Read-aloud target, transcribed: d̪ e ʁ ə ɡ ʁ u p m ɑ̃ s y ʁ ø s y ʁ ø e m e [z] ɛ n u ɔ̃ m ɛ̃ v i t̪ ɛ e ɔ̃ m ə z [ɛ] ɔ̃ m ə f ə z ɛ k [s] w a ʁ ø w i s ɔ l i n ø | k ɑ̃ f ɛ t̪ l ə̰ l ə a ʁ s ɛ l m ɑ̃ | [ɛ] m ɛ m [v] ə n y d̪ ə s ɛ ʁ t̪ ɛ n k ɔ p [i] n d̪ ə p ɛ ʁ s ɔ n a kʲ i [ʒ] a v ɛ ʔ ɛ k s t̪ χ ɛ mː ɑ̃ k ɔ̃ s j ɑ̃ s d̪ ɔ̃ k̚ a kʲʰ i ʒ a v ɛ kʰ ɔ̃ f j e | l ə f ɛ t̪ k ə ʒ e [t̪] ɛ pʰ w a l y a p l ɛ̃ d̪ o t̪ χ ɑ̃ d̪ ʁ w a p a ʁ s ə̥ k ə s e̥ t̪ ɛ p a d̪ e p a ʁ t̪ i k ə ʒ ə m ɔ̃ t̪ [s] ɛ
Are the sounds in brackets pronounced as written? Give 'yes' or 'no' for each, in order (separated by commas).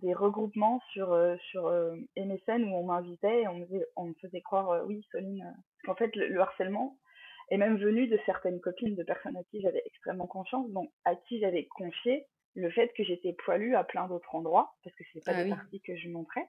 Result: no, yes, no, yes, yes, yes, yes, yes, no